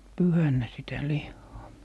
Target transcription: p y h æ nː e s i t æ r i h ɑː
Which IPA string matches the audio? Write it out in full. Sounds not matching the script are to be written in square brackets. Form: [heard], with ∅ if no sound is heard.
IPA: p y h æ nː [æ] s i t æ [l] i [hː] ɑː